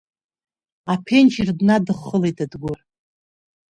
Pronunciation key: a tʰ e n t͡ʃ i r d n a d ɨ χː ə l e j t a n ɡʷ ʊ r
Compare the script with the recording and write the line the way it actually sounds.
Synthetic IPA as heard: a pʰ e n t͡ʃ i r d n a d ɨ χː ə l e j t a d ɡʷ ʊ r